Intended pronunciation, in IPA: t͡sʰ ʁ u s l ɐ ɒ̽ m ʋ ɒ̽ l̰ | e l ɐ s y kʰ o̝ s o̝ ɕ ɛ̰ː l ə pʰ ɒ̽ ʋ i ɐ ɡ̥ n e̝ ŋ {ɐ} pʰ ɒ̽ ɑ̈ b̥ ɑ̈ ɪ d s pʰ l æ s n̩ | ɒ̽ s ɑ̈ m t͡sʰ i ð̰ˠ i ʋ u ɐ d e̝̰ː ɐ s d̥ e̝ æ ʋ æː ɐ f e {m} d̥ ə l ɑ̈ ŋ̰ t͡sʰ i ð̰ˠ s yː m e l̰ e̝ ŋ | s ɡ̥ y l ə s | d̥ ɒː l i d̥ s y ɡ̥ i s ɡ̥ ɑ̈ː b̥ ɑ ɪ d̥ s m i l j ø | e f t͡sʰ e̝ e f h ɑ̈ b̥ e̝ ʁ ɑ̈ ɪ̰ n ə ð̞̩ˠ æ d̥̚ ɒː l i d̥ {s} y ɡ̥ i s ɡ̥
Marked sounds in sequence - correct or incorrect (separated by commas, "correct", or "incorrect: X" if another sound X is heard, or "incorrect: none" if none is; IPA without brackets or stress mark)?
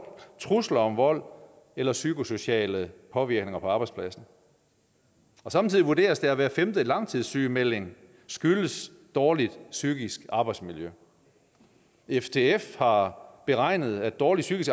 correct, correct, correct